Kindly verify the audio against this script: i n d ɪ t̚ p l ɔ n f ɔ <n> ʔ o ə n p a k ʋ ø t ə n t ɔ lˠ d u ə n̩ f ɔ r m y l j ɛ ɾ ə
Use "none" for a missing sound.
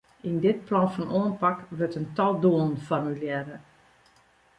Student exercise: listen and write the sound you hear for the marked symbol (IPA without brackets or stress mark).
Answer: n